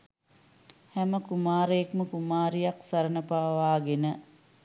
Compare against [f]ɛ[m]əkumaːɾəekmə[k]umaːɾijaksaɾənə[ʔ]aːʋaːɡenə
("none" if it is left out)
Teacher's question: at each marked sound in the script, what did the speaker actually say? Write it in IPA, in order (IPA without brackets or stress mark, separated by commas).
h, m, k, p